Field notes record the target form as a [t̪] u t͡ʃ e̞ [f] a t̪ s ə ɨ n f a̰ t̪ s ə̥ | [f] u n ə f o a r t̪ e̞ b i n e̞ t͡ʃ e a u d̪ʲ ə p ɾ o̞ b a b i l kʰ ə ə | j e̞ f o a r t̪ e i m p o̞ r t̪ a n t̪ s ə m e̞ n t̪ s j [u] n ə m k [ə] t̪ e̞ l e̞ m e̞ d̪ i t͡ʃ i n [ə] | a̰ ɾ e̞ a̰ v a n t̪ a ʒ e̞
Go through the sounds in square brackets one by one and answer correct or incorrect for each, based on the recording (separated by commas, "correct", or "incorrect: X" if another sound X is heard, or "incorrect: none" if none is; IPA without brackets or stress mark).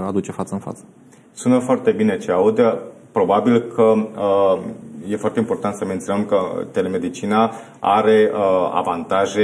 incorrect: d̪, correct, incorrect: s, incorrect: o, correct, incorrect: a